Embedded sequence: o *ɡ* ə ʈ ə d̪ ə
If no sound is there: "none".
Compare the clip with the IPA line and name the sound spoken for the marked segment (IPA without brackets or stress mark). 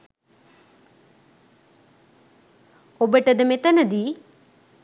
b